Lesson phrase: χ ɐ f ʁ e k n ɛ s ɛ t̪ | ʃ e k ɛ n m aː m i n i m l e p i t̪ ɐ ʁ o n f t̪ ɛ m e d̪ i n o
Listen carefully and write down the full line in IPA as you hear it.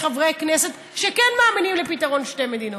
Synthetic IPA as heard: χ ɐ v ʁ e k n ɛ s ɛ t̪ | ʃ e k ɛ n m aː m i n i m l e p i t̪ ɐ ʁ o n ʃ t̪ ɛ m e d̪ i n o